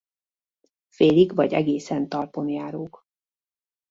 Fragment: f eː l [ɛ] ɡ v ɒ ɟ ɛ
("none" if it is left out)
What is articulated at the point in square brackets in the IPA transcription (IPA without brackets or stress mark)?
i